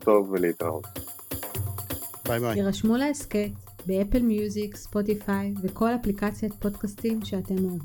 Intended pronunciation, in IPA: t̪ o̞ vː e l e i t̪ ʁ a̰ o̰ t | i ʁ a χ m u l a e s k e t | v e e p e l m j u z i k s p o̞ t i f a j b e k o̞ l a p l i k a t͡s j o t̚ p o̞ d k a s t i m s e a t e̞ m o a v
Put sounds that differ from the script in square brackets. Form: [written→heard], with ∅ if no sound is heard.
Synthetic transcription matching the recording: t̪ o̞ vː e l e i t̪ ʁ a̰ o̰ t | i ʁ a [χ→ʃ] m u l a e s k e t | [v→b] e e p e l m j u z i k s p o̞ t i f a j [b→v] e k o̞ l a p l i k a t͡s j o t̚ p o̞ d k a s t i m [s→ʃ] e a t e̞ m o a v